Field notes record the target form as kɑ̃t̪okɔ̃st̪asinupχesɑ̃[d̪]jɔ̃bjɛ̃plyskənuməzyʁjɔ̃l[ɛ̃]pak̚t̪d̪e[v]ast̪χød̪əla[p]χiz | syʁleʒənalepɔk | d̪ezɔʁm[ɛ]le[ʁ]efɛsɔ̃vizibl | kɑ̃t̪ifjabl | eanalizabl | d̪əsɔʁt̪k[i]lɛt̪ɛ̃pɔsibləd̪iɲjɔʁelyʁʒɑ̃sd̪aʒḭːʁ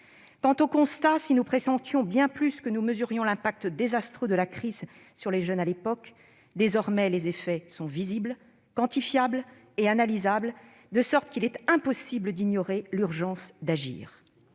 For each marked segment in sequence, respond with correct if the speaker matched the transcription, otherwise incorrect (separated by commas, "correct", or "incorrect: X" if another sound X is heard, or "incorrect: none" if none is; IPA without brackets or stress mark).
incorrect: t̪, correct, incorrect: z, incorrect: k, correct, incorrect: z, correct